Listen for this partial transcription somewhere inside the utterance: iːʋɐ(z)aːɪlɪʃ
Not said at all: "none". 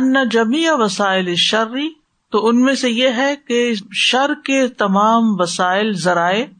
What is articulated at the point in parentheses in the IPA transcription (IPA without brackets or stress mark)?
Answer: s